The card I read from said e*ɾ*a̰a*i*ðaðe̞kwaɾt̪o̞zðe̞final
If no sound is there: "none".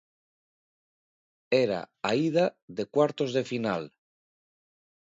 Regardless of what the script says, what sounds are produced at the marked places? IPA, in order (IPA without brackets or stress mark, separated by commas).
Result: ɾ, i